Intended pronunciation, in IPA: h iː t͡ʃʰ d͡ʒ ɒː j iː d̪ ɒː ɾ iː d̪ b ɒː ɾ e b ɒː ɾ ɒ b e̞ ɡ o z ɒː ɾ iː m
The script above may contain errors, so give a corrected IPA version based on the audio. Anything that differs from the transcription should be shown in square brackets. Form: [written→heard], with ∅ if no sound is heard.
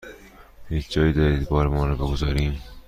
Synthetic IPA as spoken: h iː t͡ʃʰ d͡ʒ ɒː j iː d̪ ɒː ɾ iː d̪ b ɒː ɾ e [b→m] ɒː ɾ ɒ b e̞ ɡ o z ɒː ɾ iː m